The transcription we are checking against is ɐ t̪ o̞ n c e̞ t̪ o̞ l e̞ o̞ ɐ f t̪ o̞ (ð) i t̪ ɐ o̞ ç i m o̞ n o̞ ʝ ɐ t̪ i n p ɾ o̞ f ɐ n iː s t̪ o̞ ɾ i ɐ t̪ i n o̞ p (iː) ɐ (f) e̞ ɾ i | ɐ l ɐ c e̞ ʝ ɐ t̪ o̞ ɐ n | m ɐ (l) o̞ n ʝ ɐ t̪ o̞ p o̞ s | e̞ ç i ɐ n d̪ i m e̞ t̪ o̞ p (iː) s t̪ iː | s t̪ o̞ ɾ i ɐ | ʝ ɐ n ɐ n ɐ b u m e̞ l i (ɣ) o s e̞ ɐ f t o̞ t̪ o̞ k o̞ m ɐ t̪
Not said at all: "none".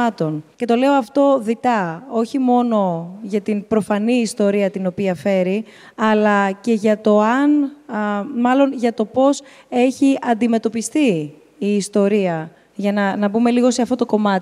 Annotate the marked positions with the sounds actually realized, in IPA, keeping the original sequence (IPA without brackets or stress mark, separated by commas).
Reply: ð, i, f, l, i, ɣ